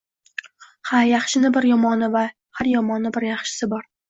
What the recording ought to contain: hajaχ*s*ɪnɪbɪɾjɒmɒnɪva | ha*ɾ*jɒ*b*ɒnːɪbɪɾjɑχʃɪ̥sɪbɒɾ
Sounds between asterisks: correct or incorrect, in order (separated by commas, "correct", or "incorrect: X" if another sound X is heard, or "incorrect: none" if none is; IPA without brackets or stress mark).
incorrect: ʃ, correct, incorrect: m